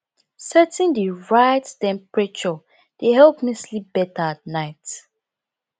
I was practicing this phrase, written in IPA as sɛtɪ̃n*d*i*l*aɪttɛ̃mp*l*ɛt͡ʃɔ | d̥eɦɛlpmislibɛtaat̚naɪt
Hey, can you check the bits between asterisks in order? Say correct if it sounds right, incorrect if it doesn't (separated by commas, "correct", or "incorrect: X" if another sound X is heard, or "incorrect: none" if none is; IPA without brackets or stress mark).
correct, incorrect: ɹ, incorrect: ɹ